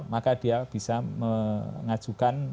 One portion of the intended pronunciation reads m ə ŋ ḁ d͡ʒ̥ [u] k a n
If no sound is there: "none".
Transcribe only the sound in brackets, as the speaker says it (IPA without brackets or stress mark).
u